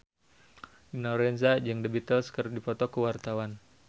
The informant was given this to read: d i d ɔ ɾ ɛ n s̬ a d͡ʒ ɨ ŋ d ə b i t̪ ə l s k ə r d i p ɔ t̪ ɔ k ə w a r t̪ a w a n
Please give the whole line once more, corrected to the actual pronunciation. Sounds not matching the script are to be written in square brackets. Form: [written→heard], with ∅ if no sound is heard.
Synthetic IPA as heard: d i [d→n] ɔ ɾ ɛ n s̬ a d͡ʒ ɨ ŋ d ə b i t̪ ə l s k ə r d i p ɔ t̪ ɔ k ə w a r t̪ a w a n